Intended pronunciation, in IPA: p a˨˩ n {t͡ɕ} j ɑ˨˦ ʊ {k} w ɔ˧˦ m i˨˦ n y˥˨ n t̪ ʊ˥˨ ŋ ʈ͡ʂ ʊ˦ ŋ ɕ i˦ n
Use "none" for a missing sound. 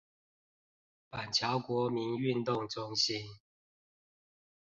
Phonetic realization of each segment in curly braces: t͡ɕʰ, k

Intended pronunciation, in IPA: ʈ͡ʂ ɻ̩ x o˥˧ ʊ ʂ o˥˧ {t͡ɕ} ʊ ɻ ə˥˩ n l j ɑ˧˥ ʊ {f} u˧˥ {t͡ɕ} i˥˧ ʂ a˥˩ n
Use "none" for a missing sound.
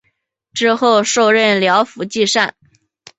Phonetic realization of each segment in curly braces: none, f, t͡ɕ

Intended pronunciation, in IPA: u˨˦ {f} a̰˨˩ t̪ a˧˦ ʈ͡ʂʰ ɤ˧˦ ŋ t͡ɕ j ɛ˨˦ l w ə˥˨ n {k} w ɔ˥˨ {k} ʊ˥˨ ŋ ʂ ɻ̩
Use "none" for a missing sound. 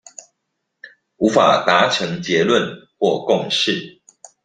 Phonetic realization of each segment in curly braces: f, x, k

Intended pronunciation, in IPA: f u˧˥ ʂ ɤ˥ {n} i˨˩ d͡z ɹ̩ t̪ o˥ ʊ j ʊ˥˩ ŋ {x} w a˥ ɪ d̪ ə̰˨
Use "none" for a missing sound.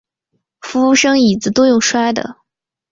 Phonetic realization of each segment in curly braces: ŋ, ʂ

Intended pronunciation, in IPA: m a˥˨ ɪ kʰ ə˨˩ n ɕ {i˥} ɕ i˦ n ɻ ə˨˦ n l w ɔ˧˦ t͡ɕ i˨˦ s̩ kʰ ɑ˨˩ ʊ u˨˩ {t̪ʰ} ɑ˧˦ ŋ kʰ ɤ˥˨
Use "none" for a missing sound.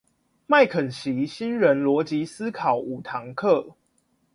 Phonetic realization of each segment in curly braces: i˨˦, t̪ʰ

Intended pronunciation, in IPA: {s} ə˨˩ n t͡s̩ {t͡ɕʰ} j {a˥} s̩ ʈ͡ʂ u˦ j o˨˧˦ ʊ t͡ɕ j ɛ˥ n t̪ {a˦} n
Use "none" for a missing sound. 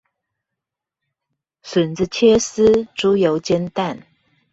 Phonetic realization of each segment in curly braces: s, t͡ɕʰ, ɛ˥, a˥˨

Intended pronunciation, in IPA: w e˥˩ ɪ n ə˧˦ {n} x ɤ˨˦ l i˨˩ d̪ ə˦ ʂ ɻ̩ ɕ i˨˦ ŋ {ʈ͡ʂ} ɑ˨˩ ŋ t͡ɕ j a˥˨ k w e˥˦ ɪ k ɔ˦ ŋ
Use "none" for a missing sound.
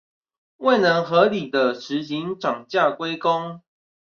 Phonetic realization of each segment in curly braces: ŋ, ʈ͡ʂ

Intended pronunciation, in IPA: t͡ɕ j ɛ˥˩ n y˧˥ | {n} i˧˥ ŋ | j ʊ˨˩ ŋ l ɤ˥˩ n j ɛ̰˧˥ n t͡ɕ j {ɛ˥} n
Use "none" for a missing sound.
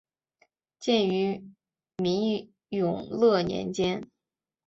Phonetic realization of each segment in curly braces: m, ɛ˥

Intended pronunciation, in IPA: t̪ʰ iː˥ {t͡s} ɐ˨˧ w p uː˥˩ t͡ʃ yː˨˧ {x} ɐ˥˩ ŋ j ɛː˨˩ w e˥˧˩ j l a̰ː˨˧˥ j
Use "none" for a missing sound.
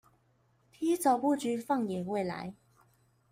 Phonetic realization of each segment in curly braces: t͡s, f

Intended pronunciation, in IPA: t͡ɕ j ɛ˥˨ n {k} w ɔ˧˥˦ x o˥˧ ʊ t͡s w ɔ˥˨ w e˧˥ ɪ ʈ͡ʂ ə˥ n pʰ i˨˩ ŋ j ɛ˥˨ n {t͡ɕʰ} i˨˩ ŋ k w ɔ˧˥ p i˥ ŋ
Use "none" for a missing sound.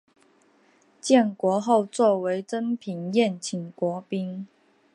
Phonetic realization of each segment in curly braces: k, t͡ɕʰ

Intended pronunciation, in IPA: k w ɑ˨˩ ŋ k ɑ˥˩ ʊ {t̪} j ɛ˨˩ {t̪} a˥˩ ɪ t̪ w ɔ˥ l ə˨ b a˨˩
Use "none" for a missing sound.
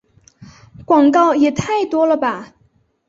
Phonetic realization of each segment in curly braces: none, t̪ʰ

